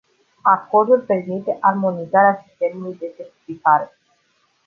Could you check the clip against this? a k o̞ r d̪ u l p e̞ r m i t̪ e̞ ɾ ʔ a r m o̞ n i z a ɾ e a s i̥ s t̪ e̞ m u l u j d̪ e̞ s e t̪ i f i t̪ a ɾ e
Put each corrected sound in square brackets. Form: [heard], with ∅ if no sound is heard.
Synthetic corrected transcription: a k o̞ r d̪ u l p e̞ r m i t̪ e̞ [∅] ʔ a r m o̞ n i z a ɾ e a s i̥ s t̪ e̞ m u l u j d̪ e̞ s e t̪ i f i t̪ a ɾ e